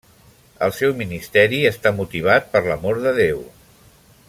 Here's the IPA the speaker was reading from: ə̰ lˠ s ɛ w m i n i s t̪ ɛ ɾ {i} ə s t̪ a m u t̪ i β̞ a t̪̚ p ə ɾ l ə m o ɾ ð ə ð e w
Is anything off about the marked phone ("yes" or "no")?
no